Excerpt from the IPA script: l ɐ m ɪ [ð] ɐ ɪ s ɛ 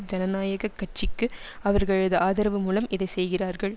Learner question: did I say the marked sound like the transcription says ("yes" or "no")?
yes